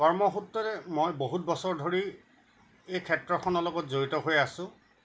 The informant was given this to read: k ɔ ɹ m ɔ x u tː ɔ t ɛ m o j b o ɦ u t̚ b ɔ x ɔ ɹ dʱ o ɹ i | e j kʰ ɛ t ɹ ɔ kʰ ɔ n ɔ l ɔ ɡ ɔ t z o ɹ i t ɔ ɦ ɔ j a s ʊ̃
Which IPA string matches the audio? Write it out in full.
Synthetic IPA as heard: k ɔ ɹ m ɔ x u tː ɔ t ɛ m o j b o ɦ u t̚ b ɔ s ɔ ɹ dʱ o ɹ i | e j kʰ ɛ t ɹ ɔ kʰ ɔ n ɔ l ɔ ɡ ɔ t z o ɹ i t ɔ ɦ o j a s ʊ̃